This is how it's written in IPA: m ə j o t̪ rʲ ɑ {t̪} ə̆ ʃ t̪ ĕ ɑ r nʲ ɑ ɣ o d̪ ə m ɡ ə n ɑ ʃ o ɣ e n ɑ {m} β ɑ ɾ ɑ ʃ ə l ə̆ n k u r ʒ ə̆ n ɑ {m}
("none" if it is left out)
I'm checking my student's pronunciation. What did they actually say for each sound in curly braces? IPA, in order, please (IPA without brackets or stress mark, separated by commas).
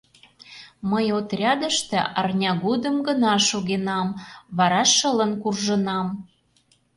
d̪, m, m